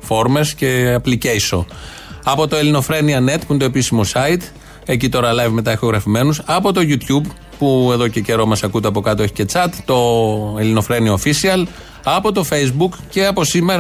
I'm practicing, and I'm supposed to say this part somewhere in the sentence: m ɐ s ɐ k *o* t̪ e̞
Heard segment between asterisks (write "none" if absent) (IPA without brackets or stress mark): u